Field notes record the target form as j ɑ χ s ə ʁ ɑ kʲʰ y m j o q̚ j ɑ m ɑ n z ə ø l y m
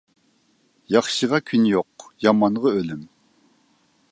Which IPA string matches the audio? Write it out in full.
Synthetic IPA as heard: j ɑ χ ʃ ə ʁ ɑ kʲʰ y n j o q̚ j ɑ m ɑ n ʁ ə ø l y m